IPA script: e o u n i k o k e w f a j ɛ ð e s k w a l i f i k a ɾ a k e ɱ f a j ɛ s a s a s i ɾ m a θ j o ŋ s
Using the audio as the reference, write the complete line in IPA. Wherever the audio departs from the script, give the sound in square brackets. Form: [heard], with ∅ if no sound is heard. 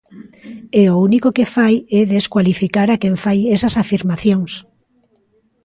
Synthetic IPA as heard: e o u n i k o k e [∅] f a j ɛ ð e s k w a l i f i k a ɾ a k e ɱ f a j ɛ s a s a [f] i ɾ m a θ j o ŋ s